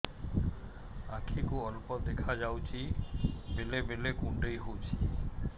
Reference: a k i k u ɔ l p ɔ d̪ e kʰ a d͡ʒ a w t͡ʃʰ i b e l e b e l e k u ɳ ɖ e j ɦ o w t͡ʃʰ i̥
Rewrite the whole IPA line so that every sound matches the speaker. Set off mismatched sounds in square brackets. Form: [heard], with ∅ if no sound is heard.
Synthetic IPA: a [kʰ] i k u ɔ l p ɔ d̪ e kʰ a d͡ʒ a w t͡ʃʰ i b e l e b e l e k u ɳ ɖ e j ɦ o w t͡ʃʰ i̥